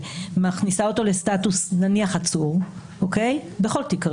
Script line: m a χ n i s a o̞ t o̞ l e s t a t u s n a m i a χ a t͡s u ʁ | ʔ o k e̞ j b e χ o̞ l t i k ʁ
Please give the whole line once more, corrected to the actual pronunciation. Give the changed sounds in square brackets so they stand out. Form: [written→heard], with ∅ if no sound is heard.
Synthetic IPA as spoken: m a χ n i s a o̞ t o̞ l e s t a t u s n a [m→n] i a χ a t͡s u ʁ | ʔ o k e̞ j b e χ o̞ l t i k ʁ